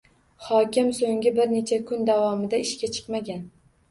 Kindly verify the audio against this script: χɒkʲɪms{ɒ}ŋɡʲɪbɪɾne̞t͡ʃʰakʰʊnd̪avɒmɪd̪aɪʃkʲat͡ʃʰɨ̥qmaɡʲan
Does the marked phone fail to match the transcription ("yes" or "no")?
yes